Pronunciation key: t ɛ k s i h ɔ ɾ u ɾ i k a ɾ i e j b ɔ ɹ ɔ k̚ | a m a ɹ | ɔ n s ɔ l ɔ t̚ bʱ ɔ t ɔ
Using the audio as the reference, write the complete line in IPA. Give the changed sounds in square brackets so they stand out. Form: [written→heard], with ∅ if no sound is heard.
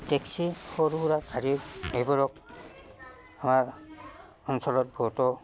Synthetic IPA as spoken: t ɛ k s i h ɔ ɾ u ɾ [i→a] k a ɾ i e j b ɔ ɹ ɔ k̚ | a m a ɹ | ɔ n s ɔ l ɔ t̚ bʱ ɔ t ɔ